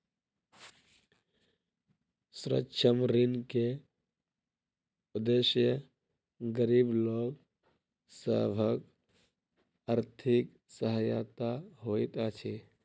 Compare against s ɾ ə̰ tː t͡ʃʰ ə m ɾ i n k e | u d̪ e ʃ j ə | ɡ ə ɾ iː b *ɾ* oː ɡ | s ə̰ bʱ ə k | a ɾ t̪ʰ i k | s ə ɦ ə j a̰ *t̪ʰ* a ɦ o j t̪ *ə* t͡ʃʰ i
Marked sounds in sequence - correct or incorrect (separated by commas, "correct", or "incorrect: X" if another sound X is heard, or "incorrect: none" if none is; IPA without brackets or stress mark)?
incorrect: l, incorrect: t̪, incorrect: a